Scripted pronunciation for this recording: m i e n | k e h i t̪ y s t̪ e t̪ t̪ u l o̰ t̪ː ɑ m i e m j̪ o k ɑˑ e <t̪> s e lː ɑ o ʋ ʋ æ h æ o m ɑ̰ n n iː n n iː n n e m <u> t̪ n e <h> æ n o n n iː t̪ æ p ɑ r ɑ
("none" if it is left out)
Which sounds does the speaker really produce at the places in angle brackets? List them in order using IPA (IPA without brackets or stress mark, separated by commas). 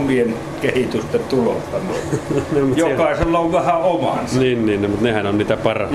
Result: none, u, h